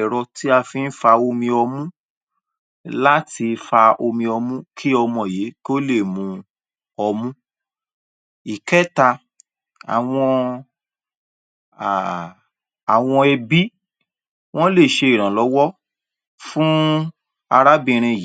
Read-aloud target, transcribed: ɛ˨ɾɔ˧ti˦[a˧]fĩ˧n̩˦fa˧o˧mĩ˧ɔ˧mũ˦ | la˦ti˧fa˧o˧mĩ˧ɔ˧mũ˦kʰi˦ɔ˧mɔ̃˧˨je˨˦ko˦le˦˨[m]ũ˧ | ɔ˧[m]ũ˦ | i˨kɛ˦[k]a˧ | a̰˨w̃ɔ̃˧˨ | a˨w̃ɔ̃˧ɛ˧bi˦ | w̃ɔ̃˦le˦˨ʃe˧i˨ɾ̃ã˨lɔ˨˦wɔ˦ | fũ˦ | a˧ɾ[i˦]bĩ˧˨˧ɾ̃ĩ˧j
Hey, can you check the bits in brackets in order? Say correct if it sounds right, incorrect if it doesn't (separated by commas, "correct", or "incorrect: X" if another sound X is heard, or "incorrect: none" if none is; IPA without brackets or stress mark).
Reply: correct, correct, correct, incorrect: t, incorrect: a˦